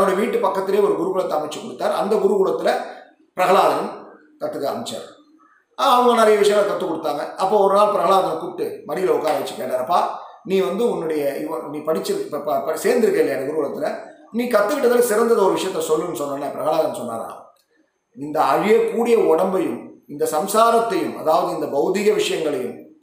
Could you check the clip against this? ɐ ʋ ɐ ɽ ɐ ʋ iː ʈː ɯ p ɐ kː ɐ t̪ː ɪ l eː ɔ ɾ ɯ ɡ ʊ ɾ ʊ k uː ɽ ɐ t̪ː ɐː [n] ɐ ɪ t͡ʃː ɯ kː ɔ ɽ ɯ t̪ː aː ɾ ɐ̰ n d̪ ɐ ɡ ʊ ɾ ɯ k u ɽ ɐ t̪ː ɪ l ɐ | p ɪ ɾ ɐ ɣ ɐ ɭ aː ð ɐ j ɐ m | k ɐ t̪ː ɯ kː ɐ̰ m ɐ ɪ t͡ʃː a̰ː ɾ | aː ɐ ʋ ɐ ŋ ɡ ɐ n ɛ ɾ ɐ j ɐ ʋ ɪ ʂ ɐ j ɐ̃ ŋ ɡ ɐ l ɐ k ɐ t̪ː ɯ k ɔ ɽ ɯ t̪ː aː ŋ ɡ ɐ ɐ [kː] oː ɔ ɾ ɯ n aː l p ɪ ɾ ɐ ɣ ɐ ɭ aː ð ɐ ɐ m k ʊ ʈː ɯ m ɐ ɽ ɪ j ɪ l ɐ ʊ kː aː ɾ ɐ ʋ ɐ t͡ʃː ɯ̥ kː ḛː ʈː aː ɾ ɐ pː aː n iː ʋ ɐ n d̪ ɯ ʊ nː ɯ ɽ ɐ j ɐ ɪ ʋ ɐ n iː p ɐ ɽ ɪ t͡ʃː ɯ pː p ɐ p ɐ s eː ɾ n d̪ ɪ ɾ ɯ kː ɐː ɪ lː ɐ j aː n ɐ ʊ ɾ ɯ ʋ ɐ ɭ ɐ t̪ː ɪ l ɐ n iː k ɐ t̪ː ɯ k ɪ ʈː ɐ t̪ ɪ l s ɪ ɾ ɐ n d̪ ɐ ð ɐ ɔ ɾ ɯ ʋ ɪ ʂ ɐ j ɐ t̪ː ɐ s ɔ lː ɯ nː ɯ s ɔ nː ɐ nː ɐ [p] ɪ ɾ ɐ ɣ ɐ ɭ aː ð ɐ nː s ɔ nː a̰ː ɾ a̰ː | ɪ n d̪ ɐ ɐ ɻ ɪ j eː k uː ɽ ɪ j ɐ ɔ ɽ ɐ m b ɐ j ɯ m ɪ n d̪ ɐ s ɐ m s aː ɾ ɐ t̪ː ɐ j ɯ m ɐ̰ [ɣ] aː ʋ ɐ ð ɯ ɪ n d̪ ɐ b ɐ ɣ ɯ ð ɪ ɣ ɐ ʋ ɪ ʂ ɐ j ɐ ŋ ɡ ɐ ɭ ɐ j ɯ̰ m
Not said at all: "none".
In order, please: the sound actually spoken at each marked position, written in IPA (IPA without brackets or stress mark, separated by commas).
m, pː, p, ð